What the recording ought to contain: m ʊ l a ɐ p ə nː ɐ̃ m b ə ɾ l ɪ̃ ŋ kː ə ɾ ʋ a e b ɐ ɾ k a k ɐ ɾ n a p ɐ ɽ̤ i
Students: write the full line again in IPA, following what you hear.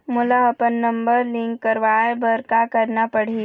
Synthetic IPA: m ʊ l a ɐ p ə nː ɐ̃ m b ə ɾ l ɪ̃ ŋ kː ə ɾ ʋ a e b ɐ ɾ k a k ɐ ɾ n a p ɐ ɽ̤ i